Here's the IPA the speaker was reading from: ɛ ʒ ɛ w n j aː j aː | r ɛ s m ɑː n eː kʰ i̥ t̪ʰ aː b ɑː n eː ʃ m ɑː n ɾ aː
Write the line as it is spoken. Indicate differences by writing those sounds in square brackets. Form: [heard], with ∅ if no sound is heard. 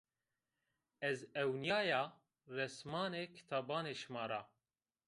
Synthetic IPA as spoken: ɛ [z] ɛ w n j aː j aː | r ɛ s m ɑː n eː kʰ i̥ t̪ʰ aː b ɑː n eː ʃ m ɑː [∅] ɾ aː